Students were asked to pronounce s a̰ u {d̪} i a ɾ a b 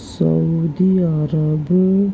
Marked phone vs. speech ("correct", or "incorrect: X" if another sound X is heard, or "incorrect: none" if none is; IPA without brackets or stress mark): correct